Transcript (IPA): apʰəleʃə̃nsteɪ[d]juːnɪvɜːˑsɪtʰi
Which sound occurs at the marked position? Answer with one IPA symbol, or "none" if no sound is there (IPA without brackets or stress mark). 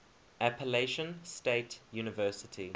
t